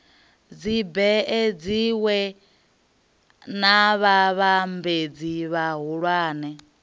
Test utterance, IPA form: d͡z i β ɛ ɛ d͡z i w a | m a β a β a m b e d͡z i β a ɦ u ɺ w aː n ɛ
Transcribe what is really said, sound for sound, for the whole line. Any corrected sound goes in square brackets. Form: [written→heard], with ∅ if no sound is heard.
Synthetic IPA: d͡z i [β→b] ɛ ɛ d͡z i w [a→ɛ] | [m→n] a β a β a m b e d͡z i β a ɦ u ɺ w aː n ɛ